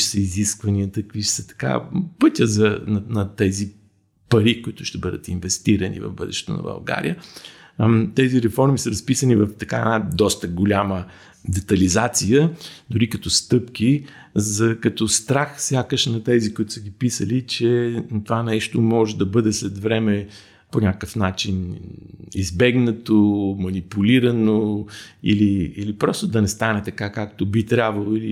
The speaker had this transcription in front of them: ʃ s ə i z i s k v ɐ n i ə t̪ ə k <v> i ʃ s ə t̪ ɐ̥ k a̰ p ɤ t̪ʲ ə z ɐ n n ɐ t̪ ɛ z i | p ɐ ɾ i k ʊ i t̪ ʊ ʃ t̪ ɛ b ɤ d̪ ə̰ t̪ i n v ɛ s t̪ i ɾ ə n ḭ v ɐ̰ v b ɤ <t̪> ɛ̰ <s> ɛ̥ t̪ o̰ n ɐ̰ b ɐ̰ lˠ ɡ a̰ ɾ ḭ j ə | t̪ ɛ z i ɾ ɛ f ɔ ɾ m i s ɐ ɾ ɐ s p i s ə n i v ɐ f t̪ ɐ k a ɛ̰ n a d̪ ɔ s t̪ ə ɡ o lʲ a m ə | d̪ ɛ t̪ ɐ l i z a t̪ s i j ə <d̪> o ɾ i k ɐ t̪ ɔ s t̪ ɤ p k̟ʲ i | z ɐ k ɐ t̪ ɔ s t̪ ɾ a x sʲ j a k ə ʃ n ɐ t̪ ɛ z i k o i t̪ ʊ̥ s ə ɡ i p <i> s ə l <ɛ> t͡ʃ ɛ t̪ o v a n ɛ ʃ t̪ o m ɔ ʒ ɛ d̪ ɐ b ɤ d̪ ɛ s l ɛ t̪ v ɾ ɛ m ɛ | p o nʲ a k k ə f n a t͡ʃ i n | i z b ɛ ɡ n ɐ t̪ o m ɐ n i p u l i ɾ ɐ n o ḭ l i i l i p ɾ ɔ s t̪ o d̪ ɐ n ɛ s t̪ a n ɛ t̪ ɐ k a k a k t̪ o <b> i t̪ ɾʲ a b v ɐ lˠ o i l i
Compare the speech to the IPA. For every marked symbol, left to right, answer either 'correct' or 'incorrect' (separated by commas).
correct, incorrect, incorrect, correct, correct, incorrect, correct